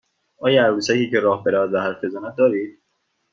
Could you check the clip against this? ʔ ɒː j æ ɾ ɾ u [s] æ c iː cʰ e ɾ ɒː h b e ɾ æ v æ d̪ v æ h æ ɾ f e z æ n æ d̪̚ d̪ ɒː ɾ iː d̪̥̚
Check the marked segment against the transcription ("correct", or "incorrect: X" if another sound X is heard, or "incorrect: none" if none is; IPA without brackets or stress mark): correct